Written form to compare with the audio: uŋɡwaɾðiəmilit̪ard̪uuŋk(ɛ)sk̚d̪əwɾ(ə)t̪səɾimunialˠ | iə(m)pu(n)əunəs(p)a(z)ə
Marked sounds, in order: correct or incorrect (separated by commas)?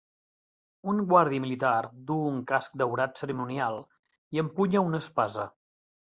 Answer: incorrect, incorrect, correct, incorrect, correct, correct